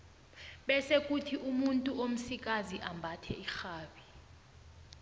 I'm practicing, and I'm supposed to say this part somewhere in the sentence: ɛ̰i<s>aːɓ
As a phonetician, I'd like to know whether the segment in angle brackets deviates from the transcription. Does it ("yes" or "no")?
yes